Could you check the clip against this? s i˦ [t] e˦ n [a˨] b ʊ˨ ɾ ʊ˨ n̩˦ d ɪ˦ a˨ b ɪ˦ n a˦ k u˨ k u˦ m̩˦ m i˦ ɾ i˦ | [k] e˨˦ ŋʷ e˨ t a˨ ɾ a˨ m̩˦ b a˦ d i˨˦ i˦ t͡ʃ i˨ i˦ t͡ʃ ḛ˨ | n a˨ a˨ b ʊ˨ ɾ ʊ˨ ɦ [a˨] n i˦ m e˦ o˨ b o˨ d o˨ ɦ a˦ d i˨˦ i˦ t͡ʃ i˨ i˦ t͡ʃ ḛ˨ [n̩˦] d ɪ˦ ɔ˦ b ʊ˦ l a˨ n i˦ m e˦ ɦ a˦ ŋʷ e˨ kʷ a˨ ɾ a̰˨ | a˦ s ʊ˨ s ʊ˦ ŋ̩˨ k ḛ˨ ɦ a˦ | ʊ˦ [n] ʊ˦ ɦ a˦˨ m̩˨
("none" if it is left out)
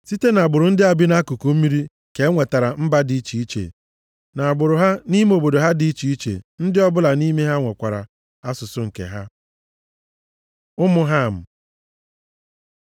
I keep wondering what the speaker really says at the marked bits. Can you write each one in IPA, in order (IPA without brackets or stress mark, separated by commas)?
t, a˨, k, a˦, n̩˦, m